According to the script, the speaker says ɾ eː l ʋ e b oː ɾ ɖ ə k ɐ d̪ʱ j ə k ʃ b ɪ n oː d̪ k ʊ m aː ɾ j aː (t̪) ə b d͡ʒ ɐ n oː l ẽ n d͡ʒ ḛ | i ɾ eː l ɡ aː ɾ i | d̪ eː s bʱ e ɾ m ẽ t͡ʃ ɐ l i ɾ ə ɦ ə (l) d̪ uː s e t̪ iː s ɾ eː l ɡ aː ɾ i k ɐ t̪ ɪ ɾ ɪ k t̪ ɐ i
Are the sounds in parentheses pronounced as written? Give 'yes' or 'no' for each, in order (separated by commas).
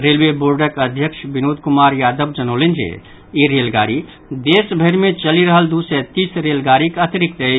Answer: no, yes